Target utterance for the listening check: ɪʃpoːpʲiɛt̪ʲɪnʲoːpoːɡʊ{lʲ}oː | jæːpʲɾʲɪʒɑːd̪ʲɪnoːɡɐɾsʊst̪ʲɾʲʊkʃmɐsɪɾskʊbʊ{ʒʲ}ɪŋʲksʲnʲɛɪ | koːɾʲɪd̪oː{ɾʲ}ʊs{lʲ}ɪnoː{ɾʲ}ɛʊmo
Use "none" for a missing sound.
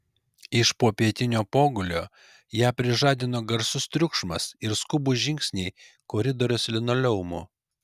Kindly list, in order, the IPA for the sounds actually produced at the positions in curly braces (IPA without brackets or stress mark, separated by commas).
lʲ, ʒʲ, ɾʲ, lʲ, lʲ